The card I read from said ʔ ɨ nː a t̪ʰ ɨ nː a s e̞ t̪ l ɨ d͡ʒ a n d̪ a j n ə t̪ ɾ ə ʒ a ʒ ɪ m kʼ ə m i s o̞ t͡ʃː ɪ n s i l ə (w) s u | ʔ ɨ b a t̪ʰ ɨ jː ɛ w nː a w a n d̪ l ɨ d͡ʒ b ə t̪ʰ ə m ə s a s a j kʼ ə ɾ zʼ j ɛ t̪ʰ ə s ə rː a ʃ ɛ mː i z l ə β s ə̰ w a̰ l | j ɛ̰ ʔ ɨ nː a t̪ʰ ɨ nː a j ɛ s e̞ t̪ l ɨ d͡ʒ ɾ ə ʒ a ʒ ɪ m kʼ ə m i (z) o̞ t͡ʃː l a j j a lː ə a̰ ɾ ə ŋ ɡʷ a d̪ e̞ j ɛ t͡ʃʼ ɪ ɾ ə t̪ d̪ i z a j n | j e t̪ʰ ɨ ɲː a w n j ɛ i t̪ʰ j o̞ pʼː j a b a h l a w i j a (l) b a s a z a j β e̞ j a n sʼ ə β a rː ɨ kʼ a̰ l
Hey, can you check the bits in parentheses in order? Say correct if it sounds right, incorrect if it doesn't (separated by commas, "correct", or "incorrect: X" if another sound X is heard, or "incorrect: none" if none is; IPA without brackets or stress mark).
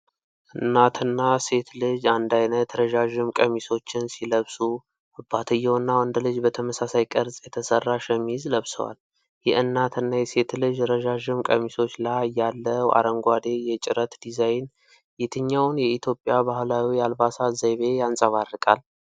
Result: incorrect: β, incorrect: s, correct